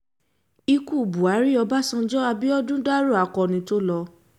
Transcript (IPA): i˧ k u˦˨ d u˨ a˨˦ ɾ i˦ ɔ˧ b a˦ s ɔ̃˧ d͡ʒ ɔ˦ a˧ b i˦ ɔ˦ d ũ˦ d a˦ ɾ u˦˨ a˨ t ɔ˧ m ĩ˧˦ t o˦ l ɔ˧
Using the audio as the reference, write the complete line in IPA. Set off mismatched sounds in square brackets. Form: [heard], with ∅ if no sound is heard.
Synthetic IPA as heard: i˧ k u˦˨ [b] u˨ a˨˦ ɾ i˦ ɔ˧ b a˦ s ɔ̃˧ d͡ʒ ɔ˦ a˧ b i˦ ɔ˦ d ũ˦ d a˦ ɾ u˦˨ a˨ [k] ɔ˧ [n] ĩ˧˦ t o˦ l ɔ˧

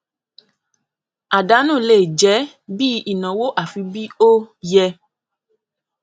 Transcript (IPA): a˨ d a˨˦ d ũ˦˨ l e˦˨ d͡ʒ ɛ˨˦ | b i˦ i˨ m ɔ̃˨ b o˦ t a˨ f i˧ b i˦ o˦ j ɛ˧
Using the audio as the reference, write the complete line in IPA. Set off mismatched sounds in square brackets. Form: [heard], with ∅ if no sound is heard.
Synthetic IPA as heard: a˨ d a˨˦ [n] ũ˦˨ l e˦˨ d͡ʒ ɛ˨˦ | b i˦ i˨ [n] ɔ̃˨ [w] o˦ [ʔ] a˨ f i˧ b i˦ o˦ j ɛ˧

